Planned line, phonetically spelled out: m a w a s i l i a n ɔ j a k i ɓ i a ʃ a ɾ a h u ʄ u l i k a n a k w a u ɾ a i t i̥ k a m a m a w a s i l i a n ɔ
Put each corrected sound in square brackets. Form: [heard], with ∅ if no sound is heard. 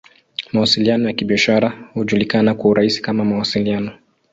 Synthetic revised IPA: m a w a s i l i a n ɔ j a k i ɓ i a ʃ a ɾ a h u ʄ u l i k a n a k w a u ɾ a i [s] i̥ k a m a m a w a s i l i a n ɔ